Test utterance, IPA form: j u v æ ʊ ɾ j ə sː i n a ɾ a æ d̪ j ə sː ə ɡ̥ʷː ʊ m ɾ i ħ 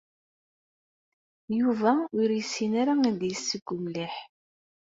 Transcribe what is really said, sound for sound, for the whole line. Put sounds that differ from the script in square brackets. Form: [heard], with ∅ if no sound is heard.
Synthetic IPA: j u v æ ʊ ɾ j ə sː i n a ɾ a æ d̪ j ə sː ə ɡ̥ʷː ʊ m [l] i ħ